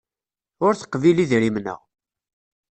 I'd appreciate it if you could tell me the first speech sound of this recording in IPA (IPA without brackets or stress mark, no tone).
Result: ʊ